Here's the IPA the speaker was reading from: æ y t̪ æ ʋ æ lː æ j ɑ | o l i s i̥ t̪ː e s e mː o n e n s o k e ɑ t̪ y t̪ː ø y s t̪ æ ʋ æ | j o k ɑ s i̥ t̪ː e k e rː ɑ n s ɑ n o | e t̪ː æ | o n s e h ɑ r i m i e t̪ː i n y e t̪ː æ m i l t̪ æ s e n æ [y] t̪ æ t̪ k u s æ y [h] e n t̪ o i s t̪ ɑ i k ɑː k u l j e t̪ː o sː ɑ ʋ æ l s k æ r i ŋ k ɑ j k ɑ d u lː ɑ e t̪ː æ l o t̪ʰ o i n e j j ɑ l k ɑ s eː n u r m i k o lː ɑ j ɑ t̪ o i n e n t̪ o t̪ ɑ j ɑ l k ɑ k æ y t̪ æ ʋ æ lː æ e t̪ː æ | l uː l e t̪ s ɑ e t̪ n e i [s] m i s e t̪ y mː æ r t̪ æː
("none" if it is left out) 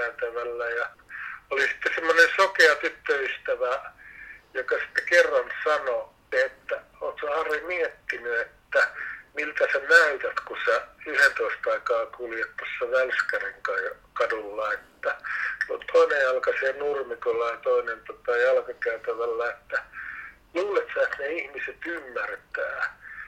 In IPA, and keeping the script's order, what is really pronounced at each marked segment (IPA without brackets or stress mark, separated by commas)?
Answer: y, h, h